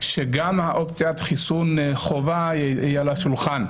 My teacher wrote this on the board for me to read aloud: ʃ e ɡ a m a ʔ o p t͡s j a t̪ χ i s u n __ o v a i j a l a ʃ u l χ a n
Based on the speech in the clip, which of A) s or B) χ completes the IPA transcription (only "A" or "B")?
B